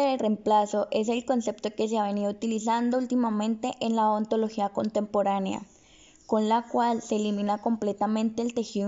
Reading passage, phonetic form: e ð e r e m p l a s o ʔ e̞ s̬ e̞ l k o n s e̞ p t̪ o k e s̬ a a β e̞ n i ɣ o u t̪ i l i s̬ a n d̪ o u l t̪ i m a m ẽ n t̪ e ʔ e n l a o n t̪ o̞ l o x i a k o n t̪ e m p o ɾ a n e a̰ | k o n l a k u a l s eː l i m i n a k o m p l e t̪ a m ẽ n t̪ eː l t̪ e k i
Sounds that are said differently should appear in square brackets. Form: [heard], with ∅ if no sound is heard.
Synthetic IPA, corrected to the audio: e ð e r e m p l a s o ʔ e̞ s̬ e̞ l k o n s e̞ p t̪ o k e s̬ [e] a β e̞ n i [ð] o u t̪ i l i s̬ a n d̪ o u l t̪ i m a m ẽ n t̪ e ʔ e n l a o n t̪ o̞ l o x i a k o n t̪ e m p o ɾ a n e a̰ | k o n l a k [w] a l s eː l i m i n a k o m p l e t̪ a m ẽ n t̪ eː l t̪ e [x] i